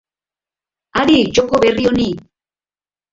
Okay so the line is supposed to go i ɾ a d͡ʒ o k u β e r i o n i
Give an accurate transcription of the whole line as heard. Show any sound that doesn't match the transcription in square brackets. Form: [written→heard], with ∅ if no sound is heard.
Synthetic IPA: [i→a] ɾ [a→i] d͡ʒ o k [u→o] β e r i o n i